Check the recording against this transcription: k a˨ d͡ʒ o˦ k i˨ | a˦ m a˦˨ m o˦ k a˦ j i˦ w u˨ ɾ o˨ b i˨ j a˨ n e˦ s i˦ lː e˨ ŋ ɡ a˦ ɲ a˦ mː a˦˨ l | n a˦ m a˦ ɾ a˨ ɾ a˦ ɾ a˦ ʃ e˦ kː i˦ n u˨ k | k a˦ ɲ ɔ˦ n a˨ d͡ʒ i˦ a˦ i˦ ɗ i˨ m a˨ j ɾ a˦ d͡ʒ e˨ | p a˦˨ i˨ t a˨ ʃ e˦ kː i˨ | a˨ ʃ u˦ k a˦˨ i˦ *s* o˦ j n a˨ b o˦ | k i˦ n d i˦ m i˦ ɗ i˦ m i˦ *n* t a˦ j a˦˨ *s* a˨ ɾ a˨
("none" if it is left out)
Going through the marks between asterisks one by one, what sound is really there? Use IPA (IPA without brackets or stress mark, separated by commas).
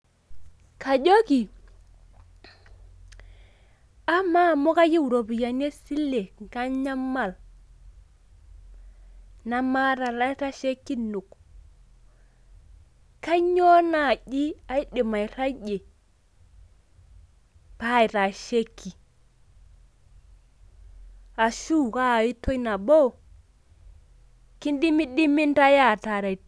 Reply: t, n, t